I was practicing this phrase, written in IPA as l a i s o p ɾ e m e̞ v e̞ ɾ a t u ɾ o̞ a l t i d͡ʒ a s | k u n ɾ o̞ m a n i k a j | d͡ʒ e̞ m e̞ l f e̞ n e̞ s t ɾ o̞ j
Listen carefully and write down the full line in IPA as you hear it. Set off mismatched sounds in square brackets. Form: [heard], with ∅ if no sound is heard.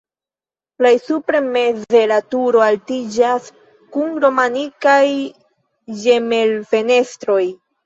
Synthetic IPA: l a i s [u] p ɾ e m e̞ [z] e̞ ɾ a t u ɾ o̞ a l t i d͡ʒ a s | k u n ɾ o̞ m a n i k a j | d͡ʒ e̞ m e̞ l f e̞ n e̞ s t ɾ o̞ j